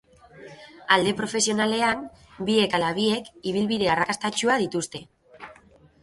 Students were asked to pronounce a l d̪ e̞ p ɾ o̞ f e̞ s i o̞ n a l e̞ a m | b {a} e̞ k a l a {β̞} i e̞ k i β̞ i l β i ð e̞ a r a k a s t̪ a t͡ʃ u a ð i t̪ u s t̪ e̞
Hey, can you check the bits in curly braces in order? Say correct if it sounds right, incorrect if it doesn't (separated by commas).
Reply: incorrect, correct